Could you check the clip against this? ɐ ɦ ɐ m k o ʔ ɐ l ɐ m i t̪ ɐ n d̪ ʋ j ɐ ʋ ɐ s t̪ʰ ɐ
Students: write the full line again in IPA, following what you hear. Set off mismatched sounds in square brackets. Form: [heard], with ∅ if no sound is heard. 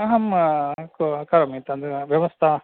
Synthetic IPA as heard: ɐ ɦ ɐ m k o [k] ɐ [ɾ] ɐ m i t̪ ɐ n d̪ ʋ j ɐ ʋ ɐ s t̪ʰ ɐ